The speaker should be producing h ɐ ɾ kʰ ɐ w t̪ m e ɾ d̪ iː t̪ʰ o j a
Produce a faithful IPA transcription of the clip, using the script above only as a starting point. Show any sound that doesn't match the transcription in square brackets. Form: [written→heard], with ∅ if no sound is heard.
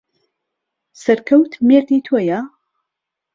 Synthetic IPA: [h→s] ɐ ɾ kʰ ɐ w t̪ m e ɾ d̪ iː t̪ʰ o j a